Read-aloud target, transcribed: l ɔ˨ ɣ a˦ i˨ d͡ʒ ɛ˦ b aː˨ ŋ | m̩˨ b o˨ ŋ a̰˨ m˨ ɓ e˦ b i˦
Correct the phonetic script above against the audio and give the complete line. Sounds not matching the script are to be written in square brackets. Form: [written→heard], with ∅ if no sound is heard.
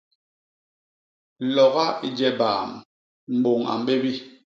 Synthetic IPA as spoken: l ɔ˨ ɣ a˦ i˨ d͡ʒ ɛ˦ b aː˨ [ŋ→m] | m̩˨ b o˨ ŋ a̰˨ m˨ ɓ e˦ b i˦